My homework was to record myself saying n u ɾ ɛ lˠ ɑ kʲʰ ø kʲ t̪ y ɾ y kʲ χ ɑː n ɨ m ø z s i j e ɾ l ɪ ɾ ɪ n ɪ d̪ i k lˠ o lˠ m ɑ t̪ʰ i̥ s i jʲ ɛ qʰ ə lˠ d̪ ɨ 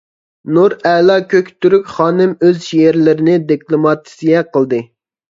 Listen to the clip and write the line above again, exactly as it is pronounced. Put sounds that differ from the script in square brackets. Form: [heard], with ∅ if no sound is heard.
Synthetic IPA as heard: n u ɾ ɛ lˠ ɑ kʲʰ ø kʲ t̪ y ɾ y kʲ χ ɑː n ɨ m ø z [ʃ] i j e ɾ l ɪ ɾ ɪ n ɪ d̪ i k lˠ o [∅] m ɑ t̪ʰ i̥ s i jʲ ɛ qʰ ə lˠ d̪ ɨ